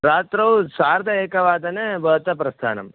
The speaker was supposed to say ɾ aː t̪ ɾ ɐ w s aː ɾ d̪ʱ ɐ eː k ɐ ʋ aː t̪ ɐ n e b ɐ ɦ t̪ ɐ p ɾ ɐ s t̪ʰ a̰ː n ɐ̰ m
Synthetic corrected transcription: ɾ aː t̪ ɾ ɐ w s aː ɾ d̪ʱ ɐ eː k ɐ ʋ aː d̪ ɐ n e b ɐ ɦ t̪ ɐ p ɾ ɐ s t̪ʰ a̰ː n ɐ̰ m